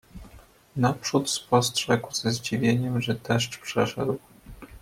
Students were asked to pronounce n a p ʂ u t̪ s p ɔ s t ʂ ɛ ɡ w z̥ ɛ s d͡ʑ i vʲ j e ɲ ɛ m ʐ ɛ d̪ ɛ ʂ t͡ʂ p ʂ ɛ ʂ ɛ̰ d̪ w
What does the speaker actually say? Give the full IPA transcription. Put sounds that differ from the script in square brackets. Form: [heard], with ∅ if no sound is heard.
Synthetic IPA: n a p ʂ u t̪ s p ɔ s t ʂ ɛ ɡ w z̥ ɛ [z] d͡ʑ i vʲ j e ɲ ɛ m ʐ ɛ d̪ ɛ ʂ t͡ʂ p ʂ ɛ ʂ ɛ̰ d̪ w